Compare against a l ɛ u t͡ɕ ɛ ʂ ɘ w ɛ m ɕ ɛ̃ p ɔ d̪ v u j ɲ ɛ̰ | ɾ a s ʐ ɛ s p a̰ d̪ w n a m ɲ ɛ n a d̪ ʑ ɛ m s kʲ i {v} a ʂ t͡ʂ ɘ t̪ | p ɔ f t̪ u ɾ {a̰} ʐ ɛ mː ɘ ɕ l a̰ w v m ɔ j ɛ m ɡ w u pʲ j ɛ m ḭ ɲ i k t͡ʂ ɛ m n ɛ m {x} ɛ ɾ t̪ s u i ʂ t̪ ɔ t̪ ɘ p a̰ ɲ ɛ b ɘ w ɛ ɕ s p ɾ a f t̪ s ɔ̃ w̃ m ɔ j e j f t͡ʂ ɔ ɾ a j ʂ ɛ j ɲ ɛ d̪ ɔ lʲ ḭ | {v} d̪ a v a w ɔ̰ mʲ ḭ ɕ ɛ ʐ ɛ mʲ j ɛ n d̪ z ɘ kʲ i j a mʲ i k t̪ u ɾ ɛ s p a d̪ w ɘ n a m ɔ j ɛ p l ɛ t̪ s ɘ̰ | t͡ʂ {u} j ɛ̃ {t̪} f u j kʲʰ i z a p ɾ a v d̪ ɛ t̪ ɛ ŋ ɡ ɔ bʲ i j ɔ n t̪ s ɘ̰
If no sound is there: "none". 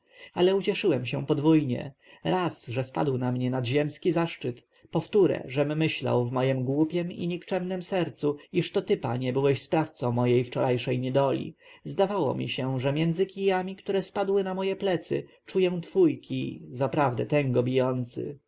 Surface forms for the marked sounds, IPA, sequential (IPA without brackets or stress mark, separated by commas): z, ɛ̰, s, z, u, t̪